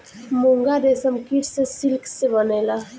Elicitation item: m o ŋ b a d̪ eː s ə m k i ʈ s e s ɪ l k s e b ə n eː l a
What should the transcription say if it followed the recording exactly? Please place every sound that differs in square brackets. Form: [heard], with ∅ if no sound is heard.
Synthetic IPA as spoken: m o ŋ [ɡ] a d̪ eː s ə m k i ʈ s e s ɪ l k s e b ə n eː l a